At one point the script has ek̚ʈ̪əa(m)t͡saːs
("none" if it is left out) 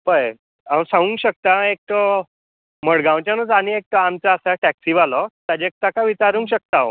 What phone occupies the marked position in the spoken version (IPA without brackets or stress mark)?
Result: m